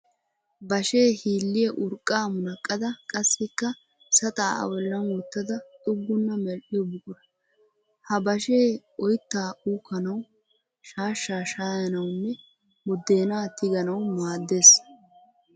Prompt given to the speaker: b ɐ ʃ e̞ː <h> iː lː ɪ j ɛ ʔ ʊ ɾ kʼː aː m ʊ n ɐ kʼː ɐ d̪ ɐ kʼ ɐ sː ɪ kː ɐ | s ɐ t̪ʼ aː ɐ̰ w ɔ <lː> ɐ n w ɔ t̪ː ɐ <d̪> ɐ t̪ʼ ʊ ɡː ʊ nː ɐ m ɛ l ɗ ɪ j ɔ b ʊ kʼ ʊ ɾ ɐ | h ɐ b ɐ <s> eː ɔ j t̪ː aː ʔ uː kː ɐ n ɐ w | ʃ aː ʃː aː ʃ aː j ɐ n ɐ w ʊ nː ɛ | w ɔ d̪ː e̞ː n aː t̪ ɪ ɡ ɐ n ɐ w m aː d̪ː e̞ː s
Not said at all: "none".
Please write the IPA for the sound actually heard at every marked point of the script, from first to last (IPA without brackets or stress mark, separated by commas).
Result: h, lː, d̪, ʃ